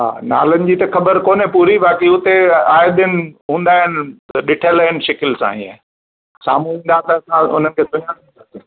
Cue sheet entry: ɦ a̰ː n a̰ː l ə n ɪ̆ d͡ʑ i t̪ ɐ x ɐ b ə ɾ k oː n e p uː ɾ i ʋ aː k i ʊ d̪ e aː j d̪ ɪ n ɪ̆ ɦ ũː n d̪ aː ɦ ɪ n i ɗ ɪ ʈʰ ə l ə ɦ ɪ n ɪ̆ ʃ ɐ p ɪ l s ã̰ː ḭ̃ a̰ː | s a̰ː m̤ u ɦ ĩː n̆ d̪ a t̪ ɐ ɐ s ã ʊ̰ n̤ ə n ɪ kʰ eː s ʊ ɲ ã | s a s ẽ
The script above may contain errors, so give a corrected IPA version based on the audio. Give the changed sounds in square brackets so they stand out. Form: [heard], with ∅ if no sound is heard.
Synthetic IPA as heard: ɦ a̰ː n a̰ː l ə n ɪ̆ d͡ʑ i t̪ ɐ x ɐ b ə ɾ k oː n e p uː ɾ i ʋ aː k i ʊ [t̪] e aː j d̪ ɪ n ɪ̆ ɦ ũː n d̪ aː ɦ ɪ n [ɪ] ɗ ɪ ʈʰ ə l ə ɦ ɪ n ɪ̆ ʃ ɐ [k] ɪ l s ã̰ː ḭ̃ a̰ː | s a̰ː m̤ u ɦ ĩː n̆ d̪ a t̪ ɐ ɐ s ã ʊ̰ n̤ ə n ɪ kʰ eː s ʊ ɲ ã | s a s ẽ